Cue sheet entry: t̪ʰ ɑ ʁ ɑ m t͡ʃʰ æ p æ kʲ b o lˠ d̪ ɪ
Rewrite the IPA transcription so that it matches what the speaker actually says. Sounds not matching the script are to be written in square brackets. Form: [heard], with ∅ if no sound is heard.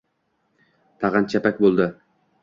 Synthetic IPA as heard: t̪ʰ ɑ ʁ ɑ [n] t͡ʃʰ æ p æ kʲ b o lˠ d̪ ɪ